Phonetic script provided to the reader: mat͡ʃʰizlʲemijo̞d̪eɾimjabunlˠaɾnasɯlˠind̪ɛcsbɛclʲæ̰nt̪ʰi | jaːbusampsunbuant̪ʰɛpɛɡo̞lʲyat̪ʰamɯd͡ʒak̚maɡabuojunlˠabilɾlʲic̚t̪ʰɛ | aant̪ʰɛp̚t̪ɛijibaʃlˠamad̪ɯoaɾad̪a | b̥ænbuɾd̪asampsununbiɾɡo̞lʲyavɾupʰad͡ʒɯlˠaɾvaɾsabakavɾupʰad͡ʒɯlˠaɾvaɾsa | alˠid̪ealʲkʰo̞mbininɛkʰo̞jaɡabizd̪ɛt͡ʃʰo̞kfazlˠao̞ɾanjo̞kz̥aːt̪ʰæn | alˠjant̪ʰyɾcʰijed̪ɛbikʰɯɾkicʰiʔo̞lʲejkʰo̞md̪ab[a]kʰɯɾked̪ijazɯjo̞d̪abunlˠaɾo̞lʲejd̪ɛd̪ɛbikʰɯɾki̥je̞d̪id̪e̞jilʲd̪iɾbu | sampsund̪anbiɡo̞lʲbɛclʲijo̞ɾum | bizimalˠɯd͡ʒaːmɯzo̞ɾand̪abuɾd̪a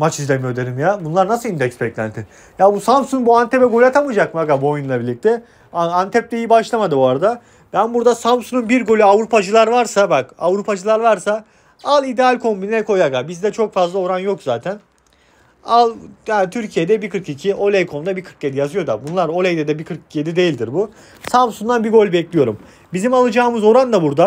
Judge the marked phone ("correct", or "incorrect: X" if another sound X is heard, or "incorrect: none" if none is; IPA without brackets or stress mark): incorrect: i